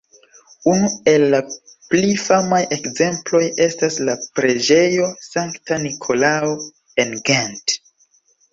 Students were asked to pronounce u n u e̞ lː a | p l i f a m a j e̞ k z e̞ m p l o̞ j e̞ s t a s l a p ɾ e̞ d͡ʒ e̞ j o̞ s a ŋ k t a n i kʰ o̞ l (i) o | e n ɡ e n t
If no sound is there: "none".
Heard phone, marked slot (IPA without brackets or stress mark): a